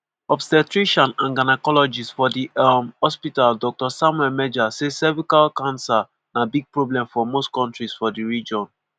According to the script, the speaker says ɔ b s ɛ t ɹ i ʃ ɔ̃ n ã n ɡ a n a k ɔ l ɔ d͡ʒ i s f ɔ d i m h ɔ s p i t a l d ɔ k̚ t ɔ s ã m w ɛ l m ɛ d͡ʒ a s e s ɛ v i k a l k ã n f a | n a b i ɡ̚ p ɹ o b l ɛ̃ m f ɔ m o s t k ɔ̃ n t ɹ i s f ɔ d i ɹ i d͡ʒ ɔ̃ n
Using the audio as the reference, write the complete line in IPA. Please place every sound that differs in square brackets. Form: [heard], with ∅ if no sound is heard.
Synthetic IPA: ɔ b s ɛ t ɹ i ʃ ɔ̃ n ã n ɡ a n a k ɔ l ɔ d͡ʒ i s f ɔ d i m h ɔ s p i t a l d ɔ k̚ t ɔ s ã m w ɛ l m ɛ d͡ʒ a s e s ɛ v i k a l k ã n [s] a | n a b i ɡ̚ p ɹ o b l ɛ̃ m f ɔ m o s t k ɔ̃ n t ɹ i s f ɔ d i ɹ i d͡ʒ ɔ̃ n